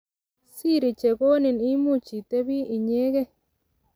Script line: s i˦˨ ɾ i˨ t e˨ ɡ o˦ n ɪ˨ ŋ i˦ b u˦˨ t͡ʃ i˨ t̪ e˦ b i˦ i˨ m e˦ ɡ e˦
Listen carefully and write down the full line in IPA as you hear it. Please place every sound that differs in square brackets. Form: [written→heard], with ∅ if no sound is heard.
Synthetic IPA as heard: s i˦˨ ɾ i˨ [t→t͡ʃ] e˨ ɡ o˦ n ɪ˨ [ŋ→n] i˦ [b→m] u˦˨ t͡ʃ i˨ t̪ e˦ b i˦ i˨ [m→ɲ] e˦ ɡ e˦